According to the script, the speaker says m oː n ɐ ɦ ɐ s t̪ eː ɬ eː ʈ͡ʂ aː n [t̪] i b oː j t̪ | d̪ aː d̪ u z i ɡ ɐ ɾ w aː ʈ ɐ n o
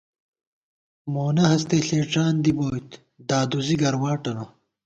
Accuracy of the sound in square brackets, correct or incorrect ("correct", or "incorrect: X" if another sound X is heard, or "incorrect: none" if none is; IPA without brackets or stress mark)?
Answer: incorrect: d̪